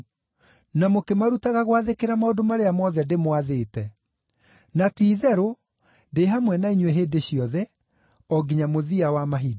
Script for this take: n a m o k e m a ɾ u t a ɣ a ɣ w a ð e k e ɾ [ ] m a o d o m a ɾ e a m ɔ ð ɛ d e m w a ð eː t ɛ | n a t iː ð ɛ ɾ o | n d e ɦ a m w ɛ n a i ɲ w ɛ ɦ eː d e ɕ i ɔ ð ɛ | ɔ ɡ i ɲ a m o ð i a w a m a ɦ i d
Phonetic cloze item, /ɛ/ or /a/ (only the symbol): a